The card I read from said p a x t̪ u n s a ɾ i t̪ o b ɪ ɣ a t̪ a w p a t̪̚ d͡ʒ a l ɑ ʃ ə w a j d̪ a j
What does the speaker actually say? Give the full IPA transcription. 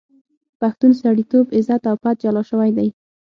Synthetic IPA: p a x t̪ u n s a ɽ i t̪ o b ɪ z a t̪ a w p a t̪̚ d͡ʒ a l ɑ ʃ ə w a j d̪ a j